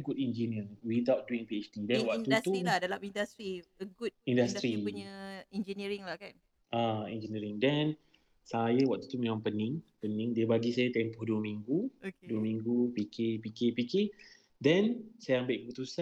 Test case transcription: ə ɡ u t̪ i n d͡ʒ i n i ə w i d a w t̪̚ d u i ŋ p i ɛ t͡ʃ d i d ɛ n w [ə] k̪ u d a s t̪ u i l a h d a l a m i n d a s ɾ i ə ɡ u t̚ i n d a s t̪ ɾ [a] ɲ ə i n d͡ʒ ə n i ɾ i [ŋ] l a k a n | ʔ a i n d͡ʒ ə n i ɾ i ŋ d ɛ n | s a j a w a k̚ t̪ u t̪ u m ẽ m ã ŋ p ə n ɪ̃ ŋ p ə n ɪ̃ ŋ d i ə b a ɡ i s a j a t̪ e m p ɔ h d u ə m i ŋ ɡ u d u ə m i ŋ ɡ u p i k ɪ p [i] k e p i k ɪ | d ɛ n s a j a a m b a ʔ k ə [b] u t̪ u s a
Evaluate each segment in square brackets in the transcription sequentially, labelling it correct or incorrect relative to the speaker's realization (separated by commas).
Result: incorrect, incorrect, correct, correct, incorrect